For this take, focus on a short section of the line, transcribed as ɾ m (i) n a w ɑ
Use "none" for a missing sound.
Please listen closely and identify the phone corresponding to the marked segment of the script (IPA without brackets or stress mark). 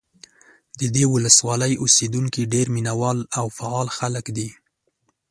i